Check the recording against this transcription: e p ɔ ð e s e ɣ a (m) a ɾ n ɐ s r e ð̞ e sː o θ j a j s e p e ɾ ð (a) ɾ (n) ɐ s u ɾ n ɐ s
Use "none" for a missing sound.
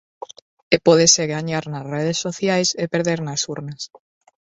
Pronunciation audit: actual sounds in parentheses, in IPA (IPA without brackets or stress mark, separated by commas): ɲ, e, n